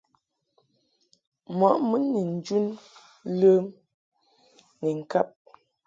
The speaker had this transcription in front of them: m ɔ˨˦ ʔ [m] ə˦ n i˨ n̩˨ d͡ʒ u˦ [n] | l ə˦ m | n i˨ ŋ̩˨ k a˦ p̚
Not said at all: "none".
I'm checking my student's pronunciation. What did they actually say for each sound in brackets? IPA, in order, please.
m, n

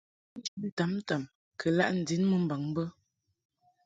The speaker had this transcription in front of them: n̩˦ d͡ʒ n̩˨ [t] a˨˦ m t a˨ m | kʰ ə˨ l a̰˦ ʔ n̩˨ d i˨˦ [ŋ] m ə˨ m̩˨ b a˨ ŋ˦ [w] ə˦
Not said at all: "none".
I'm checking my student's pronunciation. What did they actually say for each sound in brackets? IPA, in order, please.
t, n, b

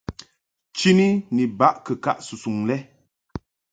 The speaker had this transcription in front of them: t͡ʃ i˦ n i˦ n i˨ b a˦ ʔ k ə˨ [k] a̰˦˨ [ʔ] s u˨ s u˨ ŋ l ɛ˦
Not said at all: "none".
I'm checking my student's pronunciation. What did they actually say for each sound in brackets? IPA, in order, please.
k, ʔ

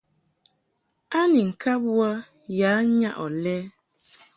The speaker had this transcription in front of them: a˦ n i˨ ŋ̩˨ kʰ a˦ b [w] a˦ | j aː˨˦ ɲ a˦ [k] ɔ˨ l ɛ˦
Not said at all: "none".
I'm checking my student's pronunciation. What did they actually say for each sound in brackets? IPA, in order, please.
w, ʔ

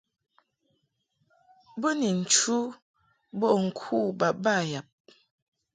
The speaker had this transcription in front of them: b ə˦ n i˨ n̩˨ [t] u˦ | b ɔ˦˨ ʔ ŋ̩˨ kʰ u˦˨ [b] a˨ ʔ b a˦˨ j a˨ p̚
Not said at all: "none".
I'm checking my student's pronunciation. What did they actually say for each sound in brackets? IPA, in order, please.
t͡ʃ, b

